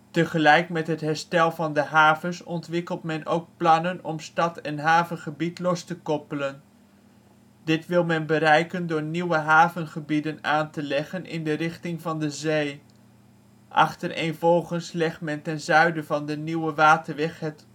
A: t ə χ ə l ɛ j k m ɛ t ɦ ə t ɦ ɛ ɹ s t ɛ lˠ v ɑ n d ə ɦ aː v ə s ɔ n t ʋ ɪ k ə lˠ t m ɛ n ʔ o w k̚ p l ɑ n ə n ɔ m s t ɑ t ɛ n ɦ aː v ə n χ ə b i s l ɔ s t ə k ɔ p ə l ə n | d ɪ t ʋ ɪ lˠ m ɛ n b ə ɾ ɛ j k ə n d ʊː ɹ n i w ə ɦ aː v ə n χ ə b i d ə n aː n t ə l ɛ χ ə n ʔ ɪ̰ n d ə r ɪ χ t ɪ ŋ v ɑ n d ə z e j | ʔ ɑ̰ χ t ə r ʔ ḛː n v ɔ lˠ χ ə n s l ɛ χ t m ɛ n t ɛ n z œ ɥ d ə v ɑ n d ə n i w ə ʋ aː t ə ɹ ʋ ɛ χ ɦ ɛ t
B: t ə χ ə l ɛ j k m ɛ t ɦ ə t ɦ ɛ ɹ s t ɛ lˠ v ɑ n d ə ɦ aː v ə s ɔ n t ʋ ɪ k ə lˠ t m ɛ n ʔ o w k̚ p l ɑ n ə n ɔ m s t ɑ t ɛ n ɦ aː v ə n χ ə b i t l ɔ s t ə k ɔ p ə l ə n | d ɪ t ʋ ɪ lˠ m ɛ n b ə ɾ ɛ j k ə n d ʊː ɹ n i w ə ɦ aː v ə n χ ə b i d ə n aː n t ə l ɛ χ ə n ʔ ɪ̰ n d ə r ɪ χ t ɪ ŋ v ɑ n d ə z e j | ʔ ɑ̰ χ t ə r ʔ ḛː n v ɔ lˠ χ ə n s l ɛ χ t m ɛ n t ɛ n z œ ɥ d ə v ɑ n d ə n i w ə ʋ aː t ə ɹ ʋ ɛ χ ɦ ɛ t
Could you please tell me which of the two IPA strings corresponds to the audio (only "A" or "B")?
B